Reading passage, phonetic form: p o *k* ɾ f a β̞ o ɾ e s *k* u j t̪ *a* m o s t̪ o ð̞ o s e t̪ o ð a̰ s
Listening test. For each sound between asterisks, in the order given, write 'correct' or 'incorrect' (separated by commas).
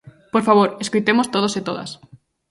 incorrect, correct, incorrect